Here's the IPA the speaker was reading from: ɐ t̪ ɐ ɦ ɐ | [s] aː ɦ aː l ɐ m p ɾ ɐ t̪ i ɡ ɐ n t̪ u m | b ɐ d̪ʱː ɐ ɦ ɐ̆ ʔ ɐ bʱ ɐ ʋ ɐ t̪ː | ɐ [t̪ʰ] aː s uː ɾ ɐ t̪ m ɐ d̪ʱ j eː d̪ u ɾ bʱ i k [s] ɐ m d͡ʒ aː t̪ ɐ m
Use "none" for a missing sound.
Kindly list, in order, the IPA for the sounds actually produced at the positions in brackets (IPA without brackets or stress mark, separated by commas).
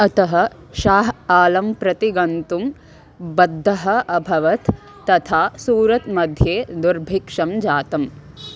ʃ, t̪ʰ, ʂ